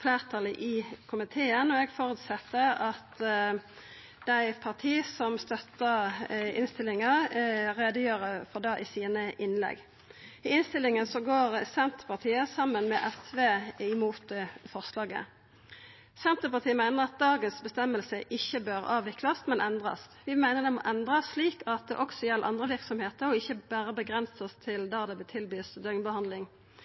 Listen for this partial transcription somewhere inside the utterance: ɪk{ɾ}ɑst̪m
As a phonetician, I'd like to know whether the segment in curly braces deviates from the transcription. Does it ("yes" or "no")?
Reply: yes